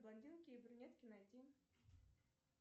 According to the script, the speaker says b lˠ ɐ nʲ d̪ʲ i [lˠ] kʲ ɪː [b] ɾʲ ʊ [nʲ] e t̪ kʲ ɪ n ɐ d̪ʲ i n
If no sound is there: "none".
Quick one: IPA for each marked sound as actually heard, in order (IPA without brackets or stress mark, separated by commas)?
lˠ, b, nʲ